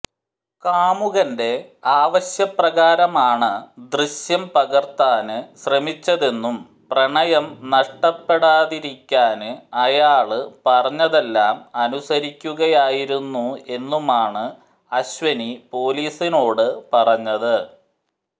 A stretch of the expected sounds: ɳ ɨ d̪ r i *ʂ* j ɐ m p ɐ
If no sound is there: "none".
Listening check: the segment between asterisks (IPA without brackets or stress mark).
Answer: ɕ